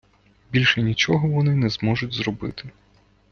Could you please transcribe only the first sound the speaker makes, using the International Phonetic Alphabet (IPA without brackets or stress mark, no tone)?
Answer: bʲ